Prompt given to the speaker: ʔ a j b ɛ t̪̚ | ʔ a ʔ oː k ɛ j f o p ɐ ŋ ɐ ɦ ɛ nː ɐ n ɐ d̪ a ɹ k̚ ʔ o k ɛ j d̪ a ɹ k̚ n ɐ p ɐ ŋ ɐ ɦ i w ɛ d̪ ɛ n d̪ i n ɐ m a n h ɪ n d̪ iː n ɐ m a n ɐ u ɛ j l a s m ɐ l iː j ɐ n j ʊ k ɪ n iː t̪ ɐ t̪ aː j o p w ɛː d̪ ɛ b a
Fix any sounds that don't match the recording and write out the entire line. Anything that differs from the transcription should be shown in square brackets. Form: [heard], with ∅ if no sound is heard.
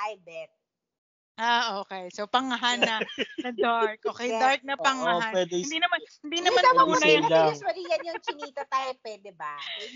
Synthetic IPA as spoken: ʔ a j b ɛ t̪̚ | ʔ a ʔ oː k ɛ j [s] o p ɐ ŋ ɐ ɦ [a] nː ɐ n ɐ d̪ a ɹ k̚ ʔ o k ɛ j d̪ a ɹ k̚ n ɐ p ɐ ŋ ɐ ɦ [a] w ɛ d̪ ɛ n d̪ i n ɐ m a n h ɪ n d̪ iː n ɐ m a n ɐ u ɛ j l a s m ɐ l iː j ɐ n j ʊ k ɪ n iː t̪ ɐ t̪ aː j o p w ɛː d̪ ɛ b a